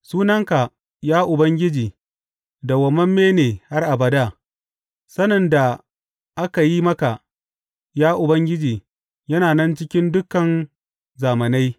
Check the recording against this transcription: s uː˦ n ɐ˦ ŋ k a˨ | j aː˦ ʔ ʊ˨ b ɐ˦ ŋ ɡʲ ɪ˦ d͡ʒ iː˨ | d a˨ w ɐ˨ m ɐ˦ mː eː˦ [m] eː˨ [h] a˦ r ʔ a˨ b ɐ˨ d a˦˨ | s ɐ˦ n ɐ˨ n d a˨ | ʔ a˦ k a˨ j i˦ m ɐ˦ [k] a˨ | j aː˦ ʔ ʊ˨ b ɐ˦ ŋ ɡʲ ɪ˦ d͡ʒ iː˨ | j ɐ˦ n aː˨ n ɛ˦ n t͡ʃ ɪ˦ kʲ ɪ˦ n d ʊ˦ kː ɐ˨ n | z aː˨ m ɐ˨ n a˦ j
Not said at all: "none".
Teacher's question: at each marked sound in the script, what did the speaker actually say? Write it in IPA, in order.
n, h, k

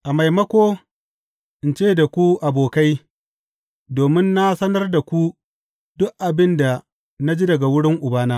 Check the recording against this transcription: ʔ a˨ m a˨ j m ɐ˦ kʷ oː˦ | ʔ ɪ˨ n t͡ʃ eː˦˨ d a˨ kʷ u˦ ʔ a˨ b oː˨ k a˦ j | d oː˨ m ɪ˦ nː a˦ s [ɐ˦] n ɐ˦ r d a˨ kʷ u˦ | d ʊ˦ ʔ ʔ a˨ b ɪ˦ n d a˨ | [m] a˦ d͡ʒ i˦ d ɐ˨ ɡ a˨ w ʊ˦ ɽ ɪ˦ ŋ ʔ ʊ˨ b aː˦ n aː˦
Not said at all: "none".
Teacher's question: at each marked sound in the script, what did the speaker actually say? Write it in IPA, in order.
ɐ˦, n

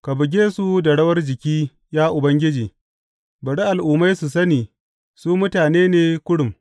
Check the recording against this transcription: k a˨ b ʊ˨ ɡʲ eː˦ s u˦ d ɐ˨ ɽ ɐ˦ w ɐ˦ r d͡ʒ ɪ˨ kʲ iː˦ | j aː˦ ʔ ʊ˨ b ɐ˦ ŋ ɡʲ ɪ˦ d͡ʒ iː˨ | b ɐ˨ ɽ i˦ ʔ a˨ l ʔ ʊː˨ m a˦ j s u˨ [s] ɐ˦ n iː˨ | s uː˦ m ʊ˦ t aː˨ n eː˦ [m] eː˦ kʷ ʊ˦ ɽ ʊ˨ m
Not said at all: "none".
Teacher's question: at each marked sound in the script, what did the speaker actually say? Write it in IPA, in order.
s, n

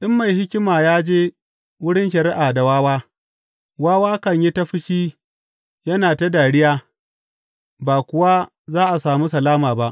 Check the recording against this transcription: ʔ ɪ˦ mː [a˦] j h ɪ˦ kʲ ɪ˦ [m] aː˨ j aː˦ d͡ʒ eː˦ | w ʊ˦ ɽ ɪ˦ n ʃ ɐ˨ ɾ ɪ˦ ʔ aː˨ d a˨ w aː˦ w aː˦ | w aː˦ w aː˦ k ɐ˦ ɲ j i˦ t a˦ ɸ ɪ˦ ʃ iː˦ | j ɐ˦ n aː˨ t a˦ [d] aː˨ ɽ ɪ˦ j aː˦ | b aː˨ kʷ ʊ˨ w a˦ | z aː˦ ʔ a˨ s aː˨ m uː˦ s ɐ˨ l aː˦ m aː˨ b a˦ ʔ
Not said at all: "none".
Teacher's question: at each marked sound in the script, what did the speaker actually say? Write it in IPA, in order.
a˨, m, d

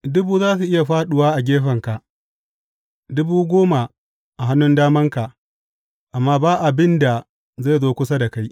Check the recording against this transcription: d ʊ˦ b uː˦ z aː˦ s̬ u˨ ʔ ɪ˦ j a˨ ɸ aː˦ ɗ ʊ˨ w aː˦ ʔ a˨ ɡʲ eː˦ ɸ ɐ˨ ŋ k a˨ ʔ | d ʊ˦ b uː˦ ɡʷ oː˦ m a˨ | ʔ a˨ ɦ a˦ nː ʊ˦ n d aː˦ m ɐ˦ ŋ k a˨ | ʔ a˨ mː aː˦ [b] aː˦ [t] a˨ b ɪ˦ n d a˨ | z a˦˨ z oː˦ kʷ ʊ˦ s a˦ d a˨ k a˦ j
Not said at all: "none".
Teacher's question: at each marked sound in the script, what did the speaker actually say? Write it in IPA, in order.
b, ʔ

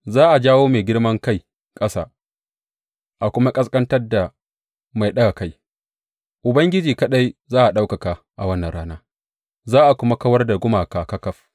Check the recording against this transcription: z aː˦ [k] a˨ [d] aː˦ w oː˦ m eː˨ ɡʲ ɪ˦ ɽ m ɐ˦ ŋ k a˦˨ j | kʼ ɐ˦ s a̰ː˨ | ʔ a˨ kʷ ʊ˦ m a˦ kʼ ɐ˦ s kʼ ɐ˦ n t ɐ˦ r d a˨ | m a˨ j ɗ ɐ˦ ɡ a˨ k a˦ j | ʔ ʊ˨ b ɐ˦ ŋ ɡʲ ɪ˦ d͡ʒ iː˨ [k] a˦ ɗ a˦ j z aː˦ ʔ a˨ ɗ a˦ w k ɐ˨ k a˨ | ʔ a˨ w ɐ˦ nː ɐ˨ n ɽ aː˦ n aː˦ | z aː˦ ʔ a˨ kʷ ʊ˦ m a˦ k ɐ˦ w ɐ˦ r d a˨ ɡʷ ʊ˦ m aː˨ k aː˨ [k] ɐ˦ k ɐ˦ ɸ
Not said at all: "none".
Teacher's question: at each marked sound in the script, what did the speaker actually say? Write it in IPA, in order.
ʔ, d͡ʒ, k, k

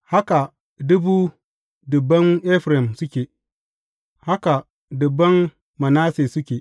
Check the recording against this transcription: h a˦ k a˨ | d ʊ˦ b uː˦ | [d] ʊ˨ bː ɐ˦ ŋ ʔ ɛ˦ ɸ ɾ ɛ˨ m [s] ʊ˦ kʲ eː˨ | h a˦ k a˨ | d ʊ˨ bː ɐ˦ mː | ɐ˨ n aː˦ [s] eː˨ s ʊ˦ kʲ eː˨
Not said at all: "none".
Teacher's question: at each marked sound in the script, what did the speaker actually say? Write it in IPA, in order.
d, s, s

